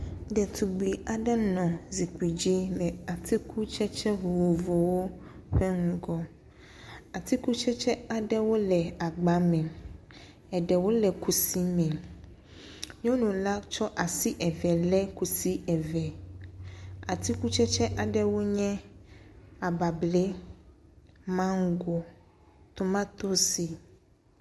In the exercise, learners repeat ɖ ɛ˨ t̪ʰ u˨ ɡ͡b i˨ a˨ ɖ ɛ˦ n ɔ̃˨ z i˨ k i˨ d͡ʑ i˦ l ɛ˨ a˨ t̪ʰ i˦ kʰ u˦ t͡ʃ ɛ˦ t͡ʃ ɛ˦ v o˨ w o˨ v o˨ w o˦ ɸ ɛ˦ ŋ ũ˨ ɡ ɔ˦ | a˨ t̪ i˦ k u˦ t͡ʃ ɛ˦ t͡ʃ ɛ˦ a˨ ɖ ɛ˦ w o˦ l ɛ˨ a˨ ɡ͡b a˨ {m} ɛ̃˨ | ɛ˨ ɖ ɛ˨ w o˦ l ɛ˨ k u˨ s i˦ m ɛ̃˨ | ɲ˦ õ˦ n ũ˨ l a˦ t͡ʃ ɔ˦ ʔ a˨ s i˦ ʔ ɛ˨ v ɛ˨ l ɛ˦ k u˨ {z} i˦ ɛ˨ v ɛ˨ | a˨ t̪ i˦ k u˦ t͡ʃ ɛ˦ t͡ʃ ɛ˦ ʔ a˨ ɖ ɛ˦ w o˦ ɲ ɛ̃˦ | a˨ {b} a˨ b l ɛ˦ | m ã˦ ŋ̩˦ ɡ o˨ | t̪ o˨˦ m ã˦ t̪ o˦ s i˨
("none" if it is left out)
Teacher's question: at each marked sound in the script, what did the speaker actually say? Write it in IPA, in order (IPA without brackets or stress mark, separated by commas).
m, s, b